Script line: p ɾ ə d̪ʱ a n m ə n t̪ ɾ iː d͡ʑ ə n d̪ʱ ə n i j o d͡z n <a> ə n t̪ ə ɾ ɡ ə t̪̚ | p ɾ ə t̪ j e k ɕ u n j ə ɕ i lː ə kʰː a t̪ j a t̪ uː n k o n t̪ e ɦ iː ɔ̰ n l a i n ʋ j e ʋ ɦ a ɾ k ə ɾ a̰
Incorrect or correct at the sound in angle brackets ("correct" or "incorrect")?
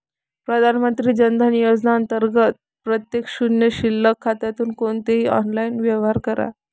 correct